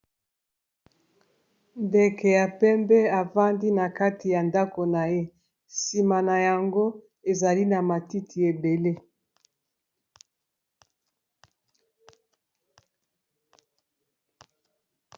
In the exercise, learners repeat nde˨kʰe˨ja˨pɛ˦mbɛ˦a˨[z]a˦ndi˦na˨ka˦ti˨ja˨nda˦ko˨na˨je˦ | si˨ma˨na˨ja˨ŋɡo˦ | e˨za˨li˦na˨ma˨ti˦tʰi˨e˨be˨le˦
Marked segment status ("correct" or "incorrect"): incorrect